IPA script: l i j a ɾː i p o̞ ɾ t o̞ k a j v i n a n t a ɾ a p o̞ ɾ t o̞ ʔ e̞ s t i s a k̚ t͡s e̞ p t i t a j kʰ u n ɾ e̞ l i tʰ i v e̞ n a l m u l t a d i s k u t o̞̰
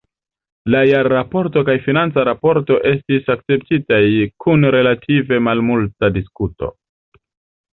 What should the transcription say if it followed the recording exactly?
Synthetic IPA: l a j a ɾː a p o̞ ɾ t o̞ k a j f i n a n t͡s a ɾ a p o̞ ɾ t o̞ ʔ e̞ s t i s a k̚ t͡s e̞ p t i t a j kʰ u n ɾ e̞ l a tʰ i v e̞ m a l m u l t a d i s k u t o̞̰